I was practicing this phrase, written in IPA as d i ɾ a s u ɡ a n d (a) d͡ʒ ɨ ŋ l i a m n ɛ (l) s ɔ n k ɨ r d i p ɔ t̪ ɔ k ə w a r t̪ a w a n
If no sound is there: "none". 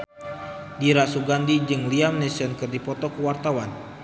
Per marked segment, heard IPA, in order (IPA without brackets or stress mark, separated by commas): i, none